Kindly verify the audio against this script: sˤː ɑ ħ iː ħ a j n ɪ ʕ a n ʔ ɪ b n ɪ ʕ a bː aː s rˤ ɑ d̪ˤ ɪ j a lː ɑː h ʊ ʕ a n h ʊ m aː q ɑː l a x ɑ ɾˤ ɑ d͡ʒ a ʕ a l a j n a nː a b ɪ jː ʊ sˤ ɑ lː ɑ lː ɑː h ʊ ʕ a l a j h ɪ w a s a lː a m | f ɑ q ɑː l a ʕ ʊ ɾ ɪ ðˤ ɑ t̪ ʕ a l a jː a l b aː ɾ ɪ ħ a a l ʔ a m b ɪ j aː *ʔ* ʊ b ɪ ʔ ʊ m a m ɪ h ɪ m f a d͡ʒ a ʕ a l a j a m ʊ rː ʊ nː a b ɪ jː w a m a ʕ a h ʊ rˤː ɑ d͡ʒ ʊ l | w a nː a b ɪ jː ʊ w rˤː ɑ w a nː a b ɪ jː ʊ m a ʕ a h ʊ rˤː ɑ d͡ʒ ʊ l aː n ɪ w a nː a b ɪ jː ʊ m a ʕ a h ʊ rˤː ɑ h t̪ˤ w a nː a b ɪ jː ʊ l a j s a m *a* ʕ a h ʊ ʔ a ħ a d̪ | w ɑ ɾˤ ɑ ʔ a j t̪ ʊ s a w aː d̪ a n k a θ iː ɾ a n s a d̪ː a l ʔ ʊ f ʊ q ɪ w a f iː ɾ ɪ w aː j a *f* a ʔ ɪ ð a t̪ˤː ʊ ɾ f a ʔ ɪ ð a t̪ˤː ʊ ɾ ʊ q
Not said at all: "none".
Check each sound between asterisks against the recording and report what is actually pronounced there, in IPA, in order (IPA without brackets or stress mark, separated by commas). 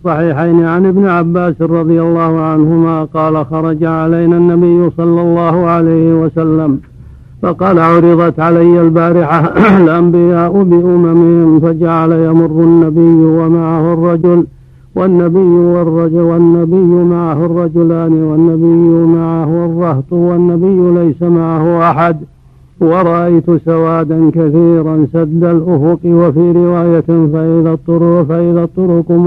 ʔ, a, f